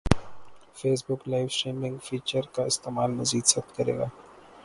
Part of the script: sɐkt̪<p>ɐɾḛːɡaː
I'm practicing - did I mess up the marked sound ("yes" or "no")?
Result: yes